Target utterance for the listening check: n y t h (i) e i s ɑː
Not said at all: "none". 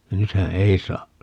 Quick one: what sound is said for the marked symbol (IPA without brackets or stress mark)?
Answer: æ